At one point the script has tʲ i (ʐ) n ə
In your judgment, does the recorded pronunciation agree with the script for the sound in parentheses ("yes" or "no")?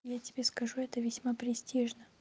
yes